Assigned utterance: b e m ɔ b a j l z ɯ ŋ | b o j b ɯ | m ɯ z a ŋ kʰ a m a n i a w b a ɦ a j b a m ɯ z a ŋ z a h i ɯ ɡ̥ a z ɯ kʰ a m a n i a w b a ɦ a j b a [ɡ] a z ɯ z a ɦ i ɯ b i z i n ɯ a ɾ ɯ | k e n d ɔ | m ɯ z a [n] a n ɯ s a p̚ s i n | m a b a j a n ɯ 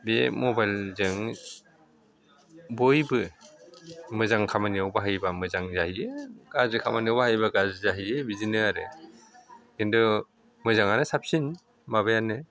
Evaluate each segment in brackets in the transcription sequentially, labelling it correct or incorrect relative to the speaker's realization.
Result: correct, incorrect: ŋ

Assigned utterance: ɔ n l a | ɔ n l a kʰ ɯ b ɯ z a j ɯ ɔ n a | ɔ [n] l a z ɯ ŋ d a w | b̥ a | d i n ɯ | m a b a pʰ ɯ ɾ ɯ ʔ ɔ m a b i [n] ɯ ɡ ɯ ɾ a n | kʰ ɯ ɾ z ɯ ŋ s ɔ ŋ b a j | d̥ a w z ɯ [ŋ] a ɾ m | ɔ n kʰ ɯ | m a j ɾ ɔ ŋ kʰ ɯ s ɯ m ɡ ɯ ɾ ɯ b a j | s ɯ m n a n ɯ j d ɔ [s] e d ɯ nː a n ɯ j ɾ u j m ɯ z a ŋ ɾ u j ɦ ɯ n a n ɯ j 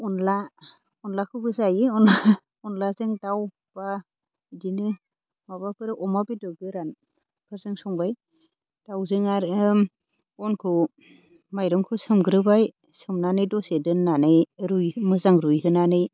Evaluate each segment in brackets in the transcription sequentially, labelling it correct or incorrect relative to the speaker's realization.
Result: correct, incorrect: d, correct, correct

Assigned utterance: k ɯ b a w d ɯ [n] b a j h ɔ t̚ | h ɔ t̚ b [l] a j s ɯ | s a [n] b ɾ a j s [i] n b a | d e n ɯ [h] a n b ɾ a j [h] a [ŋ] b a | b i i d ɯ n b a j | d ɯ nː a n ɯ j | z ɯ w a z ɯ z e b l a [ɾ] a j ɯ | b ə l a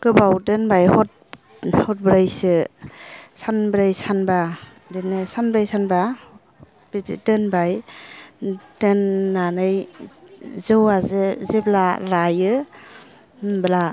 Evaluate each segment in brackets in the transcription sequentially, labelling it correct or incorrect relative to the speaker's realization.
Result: correct, incorrect: ɾ, correct, incorrect: a, incorrect: s, incorrect: s, incorrect: n, correct

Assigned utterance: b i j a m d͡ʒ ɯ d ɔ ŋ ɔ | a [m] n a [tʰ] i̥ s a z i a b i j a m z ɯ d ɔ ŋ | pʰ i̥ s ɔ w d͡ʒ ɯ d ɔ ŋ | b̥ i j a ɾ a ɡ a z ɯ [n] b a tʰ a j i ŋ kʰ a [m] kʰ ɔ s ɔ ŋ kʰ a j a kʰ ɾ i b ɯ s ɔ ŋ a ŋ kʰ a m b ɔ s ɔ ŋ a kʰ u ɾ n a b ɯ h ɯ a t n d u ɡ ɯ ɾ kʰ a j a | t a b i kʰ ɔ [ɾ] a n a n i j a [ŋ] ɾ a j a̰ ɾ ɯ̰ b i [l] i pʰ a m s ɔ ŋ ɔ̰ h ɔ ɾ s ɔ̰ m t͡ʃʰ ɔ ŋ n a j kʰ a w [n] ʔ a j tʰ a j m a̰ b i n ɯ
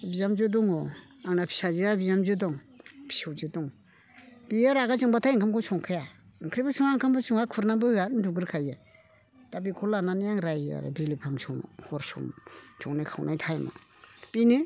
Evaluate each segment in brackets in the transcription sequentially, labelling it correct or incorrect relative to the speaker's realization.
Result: incorrect: ŋ, incorrect: pʰ, incorrect: ŋ, correct, incorrect: l, correct, correct, correct

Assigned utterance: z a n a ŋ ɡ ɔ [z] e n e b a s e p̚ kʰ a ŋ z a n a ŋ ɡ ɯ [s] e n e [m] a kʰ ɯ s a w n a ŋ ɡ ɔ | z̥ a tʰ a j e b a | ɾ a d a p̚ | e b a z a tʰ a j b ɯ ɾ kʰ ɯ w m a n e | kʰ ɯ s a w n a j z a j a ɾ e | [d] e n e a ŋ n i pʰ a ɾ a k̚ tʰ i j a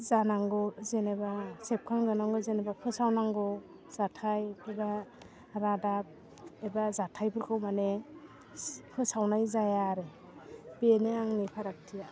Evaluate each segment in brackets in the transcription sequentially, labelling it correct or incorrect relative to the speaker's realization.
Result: correct, incorrect: z, incorrect: b, incorrect: b

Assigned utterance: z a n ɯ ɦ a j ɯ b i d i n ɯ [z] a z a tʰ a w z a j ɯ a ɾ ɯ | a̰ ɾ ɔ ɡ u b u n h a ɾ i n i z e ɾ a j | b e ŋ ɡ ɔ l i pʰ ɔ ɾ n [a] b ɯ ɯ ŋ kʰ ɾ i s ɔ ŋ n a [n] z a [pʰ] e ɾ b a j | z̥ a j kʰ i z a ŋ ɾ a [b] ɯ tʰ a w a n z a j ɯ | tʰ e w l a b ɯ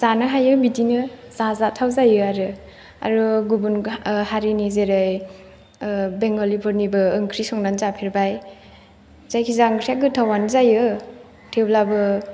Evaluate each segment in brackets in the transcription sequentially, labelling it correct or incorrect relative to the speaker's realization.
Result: correct, incorrect: i, correct, correct, incorrect: ɡ

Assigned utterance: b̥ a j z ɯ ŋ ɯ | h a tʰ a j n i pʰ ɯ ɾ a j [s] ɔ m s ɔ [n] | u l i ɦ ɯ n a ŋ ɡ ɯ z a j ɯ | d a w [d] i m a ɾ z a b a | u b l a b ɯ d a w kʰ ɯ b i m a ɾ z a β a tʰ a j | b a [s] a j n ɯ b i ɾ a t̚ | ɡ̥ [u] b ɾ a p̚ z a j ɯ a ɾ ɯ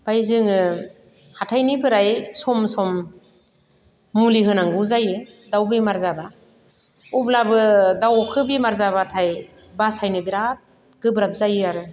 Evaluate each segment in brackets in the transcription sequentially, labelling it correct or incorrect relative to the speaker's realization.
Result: correct, incorrect: m, incorrect: b, correct, incorrect: ɯ

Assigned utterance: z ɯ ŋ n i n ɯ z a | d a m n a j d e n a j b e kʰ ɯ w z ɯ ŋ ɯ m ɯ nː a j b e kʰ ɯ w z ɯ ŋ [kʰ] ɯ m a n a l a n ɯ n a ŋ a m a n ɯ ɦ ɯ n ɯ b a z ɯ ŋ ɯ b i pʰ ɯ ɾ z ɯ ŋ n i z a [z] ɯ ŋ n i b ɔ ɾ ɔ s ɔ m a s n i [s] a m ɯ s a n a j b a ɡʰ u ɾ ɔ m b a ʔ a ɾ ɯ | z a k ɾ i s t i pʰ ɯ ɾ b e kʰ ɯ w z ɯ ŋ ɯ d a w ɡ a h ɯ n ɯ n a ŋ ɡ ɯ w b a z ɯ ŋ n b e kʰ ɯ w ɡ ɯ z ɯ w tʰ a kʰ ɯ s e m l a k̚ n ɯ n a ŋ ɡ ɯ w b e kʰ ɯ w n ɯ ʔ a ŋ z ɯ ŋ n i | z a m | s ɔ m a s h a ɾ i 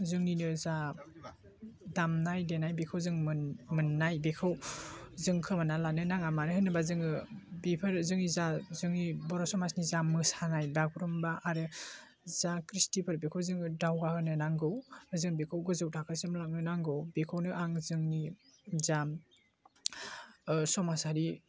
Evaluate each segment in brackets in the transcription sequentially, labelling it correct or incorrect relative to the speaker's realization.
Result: correct, correct, incorrect: z

